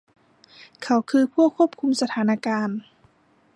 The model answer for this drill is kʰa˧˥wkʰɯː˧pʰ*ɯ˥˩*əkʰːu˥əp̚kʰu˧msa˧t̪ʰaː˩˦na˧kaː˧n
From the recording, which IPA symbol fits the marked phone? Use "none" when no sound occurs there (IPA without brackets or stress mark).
u˥˩